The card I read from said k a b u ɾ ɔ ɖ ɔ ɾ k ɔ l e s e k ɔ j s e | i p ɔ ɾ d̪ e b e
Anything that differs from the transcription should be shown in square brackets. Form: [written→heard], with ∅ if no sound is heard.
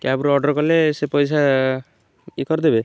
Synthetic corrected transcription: k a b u ɾ ɔ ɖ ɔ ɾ k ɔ l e s e [k→p] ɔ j s [e→a] | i [p→k] ɔ ɾ d̪ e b e